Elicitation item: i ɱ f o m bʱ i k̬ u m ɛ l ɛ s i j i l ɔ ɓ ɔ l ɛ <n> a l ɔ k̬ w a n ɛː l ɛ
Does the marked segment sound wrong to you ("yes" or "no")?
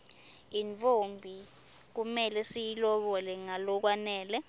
yes